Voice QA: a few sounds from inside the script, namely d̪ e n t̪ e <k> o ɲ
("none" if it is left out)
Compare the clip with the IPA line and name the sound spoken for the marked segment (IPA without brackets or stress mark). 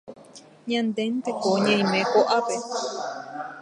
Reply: k